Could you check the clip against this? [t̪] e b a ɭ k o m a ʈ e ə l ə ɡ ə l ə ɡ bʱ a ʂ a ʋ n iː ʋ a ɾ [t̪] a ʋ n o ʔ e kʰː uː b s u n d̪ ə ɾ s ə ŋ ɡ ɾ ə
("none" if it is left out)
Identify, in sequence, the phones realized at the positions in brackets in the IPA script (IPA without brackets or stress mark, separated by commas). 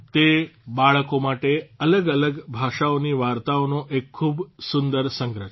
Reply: t̪, t̪